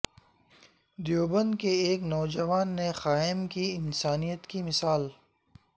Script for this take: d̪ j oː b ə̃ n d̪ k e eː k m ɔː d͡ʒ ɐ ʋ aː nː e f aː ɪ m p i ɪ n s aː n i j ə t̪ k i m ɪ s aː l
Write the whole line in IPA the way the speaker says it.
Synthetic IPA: d̪ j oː b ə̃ n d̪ k e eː k n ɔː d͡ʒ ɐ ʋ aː nː e x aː ɪ m k i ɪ n s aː n i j ə t̪ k i m ɪ s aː l